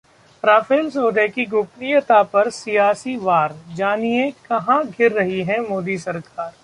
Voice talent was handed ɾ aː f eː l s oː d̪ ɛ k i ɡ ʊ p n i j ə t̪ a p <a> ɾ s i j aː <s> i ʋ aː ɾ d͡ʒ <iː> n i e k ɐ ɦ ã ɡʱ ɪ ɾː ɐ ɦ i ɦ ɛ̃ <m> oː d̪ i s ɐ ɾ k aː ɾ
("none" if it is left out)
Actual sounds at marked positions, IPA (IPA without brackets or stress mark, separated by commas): ɐ, s, aː, m